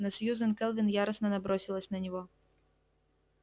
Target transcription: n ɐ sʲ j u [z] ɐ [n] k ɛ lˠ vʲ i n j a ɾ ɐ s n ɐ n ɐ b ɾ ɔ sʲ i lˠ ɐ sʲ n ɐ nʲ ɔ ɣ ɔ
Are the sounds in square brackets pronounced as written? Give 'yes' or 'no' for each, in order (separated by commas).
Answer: yes, yes